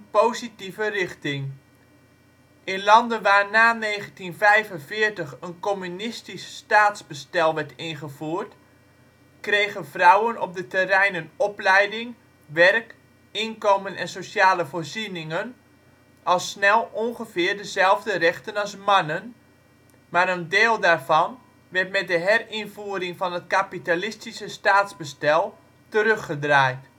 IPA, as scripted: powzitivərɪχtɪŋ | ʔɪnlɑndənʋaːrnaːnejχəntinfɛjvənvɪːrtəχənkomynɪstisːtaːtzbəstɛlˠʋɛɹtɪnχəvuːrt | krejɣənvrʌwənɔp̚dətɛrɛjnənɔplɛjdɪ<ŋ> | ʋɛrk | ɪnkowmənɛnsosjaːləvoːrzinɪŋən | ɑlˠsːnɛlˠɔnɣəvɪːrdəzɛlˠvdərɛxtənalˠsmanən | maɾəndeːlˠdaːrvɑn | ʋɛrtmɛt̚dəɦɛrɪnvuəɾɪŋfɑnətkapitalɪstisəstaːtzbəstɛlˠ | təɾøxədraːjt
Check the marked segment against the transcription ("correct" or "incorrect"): correct